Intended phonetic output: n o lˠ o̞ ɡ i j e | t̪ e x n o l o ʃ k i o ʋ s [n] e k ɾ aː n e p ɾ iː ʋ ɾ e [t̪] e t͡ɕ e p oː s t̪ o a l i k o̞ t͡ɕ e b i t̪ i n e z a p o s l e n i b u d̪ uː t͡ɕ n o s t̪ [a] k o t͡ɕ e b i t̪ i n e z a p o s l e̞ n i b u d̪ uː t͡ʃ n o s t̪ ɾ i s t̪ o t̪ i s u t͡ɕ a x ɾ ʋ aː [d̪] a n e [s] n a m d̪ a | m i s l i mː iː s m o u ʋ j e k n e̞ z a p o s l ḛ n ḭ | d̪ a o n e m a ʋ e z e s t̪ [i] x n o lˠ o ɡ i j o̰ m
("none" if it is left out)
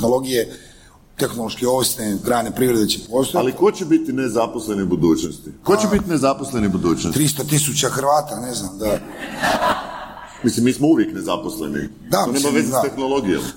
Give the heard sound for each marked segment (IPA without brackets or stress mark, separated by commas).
n, d̪, i, t̪, z, e